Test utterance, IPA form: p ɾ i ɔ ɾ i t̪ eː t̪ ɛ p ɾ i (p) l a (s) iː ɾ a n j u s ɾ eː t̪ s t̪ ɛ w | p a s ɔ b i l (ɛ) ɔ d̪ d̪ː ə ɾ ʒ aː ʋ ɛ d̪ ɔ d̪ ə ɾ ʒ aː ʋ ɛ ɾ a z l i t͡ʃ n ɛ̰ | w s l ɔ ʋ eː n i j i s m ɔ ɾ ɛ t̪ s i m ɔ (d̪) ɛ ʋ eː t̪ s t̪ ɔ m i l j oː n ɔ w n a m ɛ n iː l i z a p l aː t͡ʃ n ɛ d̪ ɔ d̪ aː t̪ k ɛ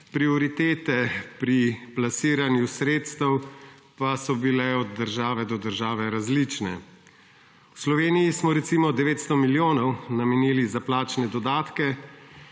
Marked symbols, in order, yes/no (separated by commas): yes, yes, yes, yes